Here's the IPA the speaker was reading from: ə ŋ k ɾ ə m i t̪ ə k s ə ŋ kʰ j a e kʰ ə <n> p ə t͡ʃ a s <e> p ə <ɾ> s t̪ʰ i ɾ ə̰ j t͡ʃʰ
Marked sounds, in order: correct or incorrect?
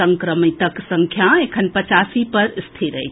correct, incorrect: i, correct

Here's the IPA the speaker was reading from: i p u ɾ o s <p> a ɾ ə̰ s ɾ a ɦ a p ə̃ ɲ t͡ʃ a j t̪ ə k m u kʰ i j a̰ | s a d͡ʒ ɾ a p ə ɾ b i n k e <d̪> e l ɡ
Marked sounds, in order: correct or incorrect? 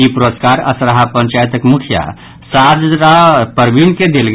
incorrect: k, correct

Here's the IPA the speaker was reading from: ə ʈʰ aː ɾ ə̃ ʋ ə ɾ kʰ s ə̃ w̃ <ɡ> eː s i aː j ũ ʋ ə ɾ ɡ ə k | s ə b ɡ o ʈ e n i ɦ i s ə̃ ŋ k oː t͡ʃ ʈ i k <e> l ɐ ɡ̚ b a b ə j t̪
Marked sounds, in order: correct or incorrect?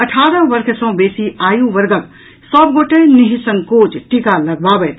incorrect: b, incorrect: a

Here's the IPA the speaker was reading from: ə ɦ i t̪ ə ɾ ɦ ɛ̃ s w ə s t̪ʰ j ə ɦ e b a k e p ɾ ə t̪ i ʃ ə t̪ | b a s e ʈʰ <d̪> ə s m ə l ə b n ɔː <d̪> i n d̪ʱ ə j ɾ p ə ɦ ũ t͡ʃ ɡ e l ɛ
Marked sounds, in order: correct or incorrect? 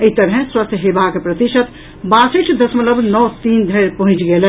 correct, incorrect: t̪

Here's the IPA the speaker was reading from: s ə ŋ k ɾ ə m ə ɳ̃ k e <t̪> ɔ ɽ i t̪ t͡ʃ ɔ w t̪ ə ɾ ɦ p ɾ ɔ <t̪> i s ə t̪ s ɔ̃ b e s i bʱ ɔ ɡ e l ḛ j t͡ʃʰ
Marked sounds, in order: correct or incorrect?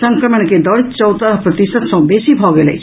incorrect: d̪, correct

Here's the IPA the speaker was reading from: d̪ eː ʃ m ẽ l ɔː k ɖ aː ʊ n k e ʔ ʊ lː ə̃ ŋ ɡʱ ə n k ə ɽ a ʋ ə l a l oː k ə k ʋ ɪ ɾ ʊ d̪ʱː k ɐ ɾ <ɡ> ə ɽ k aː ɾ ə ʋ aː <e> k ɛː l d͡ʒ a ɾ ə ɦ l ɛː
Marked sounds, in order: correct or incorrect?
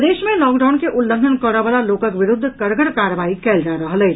correct, incorrect: i

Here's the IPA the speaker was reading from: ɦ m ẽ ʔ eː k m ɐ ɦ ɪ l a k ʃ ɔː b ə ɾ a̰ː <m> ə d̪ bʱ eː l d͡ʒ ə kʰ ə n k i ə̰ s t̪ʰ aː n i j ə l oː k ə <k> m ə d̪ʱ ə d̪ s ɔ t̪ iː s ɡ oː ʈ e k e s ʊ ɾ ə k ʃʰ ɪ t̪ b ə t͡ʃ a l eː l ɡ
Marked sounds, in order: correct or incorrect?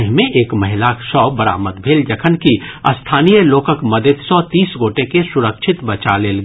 correct, correct

